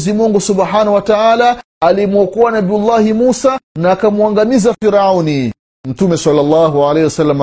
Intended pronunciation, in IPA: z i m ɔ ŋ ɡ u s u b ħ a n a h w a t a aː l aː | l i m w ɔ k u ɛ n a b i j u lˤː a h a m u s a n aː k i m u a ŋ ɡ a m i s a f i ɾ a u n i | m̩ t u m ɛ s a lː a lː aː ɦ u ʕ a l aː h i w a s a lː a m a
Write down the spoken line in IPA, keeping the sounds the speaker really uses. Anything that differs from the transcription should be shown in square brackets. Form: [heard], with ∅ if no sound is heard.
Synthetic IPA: z i m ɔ ŋ ɡ u s u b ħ a n a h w a t a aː l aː | l i m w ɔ k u [a] n a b i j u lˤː a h [i] m u s a n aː k [a] m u a ŋ ɡ a m i [z] a f i ɾ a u n i | m̩ t u m ɛ s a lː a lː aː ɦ u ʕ a l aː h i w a s a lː a m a